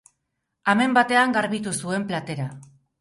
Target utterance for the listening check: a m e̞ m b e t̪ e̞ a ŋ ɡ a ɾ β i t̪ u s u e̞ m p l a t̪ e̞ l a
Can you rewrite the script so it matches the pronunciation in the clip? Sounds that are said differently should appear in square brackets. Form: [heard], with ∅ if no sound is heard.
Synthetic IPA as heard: a m e̞ m b [a] t̪ e̞ a ŋ ɡ a ɾ β i t̪ u s u e̞ m p l a t̪ e̞ [ɾ] a